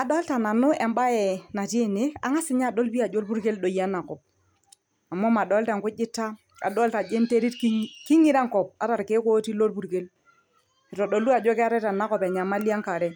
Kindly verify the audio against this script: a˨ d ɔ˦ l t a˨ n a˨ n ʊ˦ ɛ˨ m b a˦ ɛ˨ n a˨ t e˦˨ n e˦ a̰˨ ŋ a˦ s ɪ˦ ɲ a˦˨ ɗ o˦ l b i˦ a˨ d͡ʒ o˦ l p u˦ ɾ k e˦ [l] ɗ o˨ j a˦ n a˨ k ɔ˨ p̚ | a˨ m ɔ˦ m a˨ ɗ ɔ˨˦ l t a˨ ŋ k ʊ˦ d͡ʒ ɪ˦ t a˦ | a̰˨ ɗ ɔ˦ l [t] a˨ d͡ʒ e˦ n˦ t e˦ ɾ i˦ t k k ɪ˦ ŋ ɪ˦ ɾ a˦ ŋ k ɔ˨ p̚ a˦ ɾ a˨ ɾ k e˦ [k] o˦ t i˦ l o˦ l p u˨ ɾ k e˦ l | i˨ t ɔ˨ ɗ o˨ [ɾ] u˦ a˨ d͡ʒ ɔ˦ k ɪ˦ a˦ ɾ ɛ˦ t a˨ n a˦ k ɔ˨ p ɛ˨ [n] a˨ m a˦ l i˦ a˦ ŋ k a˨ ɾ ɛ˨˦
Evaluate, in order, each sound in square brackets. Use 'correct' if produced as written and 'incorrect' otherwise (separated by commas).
correct, correct, correct, incorrect, incorrect